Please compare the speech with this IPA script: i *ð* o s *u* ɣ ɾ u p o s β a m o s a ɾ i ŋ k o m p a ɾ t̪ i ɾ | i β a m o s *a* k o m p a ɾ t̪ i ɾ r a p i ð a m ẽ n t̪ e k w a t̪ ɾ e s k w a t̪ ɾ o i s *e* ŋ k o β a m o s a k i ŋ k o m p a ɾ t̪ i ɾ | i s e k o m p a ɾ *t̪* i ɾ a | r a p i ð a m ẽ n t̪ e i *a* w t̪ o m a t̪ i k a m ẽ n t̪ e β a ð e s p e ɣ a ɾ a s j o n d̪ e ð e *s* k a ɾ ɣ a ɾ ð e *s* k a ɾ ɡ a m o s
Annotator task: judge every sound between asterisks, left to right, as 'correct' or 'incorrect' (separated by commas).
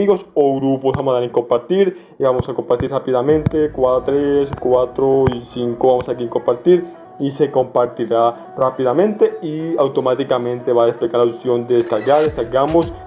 incorrect, incorrect, correct, incorrect, correct, correct, correct, correct